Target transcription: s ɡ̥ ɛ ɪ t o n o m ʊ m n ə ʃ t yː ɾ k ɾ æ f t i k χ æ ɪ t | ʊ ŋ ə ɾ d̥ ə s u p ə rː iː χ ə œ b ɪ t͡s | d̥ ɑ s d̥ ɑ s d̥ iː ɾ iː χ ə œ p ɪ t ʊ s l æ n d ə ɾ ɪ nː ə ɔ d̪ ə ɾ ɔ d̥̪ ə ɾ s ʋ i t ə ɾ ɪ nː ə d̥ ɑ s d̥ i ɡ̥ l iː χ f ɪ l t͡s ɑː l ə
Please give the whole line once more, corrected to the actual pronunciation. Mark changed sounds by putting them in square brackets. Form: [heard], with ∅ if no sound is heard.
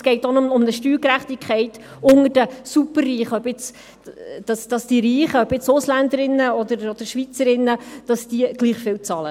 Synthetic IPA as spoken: s ɡ̥ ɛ ɪ t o n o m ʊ m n ə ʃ t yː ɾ k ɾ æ [χ] t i k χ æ ɪ t | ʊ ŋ ə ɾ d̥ ə s u p ə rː iː χ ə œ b ɪ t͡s | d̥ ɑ s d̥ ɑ s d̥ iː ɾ iː χ ə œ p ɪ [t͡s] ʊ s l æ n d ə ɾ ɪ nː ə ɔ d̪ ə ɾ ɔ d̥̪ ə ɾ [ʃ] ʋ i [t͡s] ə ɾ ɪ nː ə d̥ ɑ s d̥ i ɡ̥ l iː χ f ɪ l t͡s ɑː l ə